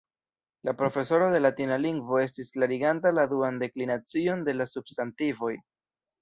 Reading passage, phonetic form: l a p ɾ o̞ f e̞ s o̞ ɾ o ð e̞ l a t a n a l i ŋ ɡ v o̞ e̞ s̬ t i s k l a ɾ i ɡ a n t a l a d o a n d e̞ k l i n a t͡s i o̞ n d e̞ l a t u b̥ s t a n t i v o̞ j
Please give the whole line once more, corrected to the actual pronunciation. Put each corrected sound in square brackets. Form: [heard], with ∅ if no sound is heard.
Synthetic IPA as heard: l a p ɾ o̞ f e̞ s o̞ ɾ o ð e̞ l a t [i] n a l i ŋ ɡ v o̞ e̞ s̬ t i s k l a ɾ i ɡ a n t a l a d [u] a n d e̞ k l i n a t͡s i o̞ n d e̞ l a [s] u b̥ s t a n t i v o̞ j